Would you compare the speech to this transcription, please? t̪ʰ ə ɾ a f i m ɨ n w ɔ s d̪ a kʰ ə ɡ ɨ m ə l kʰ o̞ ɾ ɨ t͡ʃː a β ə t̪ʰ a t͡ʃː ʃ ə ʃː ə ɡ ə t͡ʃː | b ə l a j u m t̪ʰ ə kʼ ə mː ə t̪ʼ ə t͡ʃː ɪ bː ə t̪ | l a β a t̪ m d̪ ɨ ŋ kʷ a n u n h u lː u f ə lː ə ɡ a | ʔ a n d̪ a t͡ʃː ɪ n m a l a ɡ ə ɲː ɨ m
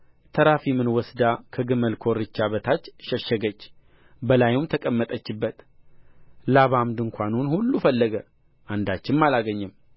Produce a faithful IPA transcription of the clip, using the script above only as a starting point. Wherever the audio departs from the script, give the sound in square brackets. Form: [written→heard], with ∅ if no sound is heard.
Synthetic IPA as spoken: t̪ʰ ə ɾ a f i m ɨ n w ɔ s d̪ a kʰ ə ɡ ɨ m ə l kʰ o̞ ɾ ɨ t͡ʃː a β ə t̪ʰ a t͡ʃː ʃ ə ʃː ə ɡ ə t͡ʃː | b ə l a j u m t̪ʰ ə kʼ ə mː ə t̪ʼ ə t͡ʃː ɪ bː ə t̪ | l a β a [t̪→∅] m d̪ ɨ ŋ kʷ a n u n h u lː u f ə lː ə ɡ [a→ə] | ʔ a n d̪ a t͡ʃː ɪ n m a l a ɡ ə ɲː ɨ m